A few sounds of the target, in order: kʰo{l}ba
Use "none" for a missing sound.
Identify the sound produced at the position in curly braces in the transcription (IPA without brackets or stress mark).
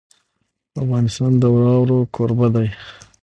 ɾ